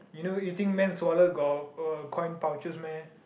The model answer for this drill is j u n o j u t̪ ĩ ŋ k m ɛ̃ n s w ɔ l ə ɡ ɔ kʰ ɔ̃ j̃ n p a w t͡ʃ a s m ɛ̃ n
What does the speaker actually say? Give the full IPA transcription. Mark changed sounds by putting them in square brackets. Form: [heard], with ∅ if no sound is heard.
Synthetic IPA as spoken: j u n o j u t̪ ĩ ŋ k m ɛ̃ n s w ɔ l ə ɡ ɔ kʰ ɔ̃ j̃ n p a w t͡ʃ [ə] s m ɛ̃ n